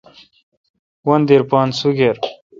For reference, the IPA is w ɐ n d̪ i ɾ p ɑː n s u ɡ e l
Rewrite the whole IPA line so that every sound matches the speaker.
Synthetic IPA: w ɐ n d̪ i ɾ p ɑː n s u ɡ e ɾ